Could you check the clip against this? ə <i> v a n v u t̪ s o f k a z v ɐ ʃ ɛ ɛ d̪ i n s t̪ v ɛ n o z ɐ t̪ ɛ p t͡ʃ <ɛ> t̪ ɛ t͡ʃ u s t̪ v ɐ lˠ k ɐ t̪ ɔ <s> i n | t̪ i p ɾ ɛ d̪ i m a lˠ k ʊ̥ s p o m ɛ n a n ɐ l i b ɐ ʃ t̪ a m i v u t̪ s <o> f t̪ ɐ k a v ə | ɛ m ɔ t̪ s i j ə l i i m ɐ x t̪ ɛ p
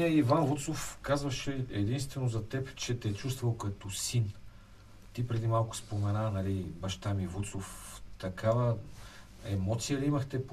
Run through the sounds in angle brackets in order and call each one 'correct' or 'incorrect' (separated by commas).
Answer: correct, correct, correct, correct